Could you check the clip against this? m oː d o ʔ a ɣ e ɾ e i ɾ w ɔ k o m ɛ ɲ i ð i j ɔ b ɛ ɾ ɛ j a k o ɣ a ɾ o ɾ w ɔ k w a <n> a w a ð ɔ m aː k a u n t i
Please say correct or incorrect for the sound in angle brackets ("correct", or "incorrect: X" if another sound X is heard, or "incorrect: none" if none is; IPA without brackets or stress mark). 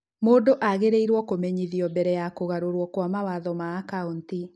incorrect: m